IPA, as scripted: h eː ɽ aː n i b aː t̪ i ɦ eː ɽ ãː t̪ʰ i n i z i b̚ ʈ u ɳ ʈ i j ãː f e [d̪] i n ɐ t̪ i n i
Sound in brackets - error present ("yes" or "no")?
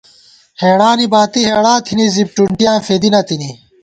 no